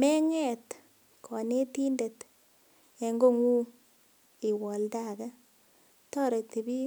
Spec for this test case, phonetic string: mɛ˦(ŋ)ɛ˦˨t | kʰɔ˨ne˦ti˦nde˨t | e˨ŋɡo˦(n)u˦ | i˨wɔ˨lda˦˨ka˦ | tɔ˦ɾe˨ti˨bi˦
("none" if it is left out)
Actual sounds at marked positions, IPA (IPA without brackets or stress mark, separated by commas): ŋ, ŋ